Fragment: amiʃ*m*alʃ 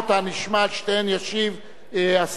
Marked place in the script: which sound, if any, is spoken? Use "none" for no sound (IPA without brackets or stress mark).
m